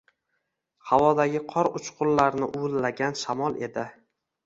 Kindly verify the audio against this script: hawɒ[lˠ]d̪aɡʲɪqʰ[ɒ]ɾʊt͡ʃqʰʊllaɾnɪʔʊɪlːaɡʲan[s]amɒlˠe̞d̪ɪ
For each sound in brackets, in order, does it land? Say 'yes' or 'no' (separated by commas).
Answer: no, yes, no